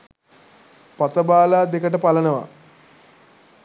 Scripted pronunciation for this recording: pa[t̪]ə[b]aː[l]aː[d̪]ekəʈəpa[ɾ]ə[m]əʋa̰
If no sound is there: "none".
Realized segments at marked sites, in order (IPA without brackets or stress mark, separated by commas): t̪, b, l, d̪, l, n